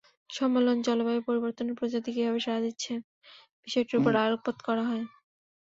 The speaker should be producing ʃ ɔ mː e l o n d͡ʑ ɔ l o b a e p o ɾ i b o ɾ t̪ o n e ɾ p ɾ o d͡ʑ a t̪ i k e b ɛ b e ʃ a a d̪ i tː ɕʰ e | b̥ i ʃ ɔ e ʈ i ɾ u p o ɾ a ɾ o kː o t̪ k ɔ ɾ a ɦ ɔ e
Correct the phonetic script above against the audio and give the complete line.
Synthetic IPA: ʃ ɔ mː e l o n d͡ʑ ɔ l o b a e p o ɾ i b o ɾ t̪ o n e ɾ p ɾ o d͡ʑ a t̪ i k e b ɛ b e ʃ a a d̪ i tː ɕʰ e | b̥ i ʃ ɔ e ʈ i ɾ u p o ɾ a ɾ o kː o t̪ k ɔ ɾ a ɦ ɔ e